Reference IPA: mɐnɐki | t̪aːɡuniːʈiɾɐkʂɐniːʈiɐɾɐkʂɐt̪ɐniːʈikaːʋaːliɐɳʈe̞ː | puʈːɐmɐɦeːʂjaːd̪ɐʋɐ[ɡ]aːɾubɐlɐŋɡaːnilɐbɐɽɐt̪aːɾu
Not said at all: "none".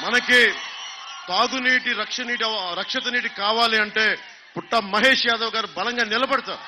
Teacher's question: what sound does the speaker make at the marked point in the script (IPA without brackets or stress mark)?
ɡ